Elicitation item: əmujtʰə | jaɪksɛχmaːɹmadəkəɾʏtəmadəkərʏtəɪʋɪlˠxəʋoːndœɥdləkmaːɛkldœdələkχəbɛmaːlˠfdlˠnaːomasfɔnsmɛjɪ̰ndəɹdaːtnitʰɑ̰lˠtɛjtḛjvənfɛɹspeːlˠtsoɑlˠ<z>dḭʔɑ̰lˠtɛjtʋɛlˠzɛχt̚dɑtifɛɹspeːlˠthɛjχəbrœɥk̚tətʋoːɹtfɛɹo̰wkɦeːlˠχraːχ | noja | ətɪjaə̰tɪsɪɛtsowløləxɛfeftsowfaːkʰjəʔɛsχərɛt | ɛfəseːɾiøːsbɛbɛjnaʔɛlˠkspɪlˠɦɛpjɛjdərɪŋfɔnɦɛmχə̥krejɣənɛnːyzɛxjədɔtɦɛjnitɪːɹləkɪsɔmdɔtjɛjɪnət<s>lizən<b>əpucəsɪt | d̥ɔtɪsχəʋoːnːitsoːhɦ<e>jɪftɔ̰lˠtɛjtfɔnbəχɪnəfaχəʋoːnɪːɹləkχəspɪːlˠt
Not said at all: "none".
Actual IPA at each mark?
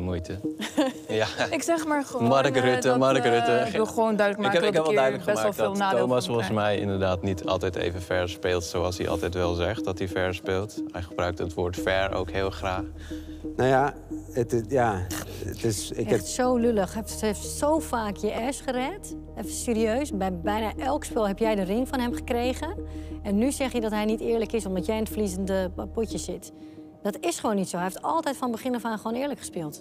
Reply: s, f, d, ɛ

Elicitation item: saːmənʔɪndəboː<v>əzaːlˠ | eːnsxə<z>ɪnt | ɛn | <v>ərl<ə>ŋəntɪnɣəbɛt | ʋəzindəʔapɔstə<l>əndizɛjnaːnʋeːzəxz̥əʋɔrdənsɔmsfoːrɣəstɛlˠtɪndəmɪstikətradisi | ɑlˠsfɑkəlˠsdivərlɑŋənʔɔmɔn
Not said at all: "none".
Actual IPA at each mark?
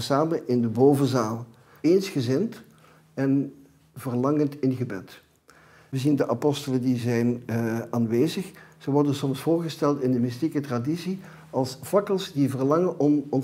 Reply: v, z, v, ɑ, l

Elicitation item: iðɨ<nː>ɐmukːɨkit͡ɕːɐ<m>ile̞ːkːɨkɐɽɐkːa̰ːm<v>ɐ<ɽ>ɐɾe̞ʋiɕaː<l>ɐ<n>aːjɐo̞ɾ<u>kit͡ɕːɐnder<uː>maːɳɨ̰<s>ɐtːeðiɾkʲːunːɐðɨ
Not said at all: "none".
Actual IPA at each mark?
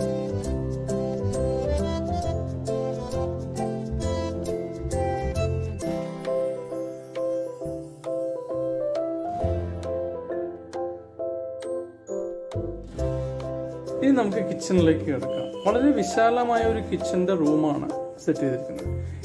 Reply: n, n, ʋ, ɭ, l, m, u, uː, s

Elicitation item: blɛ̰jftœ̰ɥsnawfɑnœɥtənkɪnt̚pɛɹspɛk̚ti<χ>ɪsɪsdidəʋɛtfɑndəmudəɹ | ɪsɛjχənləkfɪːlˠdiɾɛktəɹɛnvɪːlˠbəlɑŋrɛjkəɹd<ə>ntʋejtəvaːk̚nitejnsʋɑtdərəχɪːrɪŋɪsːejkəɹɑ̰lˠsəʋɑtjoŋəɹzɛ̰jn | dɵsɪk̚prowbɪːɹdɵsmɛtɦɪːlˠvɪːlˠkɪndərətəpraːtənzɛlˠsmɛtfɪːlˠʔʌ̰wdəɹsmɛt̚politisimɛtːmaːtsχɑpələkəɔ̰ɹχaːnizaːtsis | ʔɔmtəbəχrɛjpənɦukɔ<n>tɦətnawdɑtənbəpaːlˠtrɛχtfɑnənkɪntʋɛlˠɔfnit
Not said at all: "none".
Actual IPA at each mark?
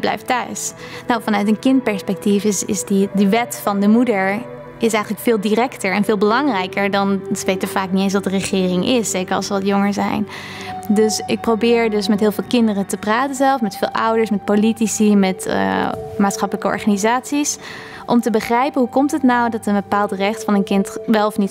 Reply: f, ɑ, m

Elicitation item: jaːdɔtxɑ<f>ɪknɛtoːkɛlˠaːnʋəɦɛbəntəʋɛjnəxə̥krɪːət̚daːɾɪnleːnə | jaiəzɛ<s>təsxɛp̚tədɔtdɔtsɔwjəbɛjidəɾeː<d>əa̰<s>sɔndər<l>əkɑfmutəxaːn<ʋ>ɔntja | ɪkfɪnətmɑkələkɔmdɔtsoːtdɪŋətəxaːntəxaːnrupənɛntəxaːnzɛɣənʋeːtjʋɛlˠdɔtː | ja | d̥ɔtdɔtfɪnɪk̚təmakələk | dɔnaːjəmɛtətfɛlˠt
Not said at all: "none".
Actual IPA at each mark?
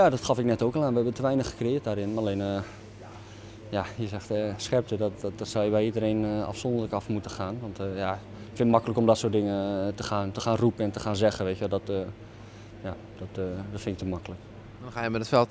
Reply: f, x, n, f, l, ʋ

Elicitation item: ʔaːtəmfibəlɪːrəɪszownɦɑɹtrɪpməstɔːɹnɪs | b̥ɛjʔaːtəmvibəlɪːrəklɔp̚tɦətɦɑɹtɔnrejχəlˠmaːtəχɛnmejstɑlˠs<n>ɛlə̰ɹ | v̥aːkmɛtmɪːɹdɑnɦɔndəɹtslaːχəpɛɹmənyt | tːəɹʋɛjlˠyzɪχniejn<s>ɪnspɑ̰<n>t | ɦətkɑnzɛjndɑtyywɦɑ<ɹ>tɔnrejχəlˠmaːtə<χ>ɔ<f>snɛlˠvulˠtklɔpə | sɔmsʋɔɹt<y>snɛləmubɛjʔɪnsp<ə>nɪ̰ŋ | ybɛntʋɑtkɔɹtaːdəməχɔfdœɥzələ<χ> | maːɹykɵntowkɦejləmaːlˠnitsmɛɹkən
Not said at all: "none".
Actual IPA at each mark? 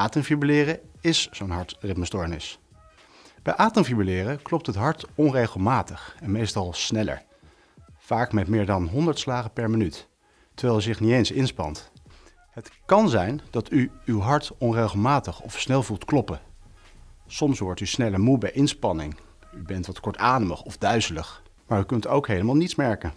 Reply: n, s, n, ɹ, χ, f, y, ɑ, χ

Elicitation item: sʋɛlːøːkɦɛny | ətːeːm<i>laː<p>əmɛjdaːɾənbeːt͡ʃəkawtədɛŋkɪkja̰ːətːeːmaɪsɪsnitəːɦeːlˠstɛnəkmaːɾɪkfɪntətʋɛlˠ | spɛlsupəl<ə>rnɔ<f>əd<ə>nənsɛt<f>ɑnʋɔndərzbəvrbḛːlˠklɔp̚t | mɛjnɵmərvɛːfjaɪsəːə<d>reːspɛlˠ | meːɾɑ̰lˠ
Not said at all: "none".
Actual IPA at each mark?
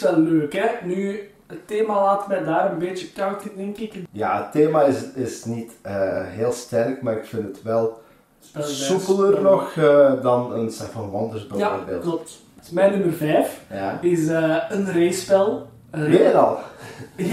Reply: a, t, ə, x, ɑ, f, n

